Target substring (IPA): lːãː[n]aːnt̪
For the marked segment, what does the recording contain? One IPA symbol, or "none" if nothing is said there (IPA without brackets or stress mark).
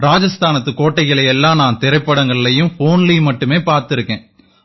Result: n